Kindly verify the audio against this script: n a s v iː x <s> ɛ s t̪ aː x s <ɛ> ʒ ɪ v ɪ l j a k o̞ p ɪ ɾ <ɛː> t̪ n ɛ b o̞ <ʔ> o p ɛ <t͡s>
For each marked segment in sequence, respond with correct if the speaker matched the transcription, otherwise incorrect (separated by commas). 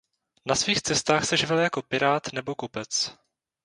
incorrect, correct, incorrect, incorrect, correct